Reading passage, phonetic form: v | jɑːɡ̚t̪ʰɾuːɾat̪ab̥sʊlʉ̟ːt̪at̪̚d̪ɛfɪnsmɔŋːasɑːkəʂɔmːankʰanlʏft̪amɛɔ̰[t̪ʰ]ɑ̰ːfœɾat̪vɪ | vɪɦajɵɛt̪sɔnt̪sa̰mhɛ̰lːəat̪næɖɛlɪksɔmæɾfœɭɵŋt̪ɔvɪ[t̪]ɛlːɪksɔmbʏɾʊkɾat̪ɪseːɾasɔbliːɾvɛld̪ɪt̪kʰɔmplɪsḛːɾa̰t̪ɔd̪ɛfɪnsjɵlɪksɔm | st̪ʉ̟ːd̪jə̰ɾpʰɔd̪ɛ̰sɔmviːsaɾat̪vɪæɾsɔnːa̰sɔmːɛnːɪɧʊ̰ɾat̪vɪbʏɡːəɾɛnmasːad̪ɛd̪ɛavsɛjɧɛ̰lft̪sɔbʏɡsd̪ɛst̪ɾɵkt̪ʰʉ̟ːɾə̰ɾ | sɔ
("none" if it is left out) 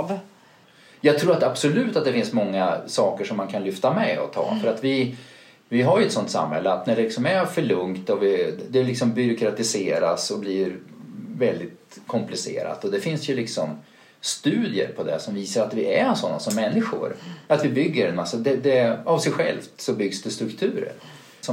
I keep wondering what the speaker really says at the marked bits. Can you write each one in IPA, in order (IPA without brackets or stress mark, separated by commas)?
t̪ʰ, d̪